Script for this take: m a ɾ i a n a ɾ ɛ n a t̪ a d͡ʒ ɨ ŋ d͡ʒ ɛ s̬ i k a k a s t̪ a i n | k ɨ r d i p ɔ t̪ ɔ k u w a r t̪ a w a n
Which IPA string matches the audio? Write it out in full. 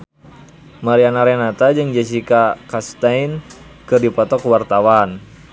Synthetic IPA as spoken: m a ɾ i a n a ɾ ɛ n a t̪ a d͡ʒ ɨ ŋ d͡ʒ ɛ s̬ i k a k a s t̪ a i n | k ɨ r d i p ɔ t̪ ɔ k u w a r t̪ a w a n